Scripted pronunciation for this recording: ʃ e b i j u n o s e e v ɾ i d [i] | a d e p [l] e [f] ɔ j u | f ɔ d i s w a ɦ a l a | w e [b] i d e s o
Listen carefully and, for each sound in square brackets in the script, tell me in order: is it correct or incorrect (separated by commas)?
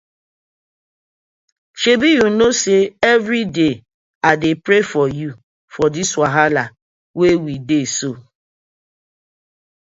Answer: incorrect, incorrect, correct, incorrect